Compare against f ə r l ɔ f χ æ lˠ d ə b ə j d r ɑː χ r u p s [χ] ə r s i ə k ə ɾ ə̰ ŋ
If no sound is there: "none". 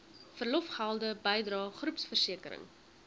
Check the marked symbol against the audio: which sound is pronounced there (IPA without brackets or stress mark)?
f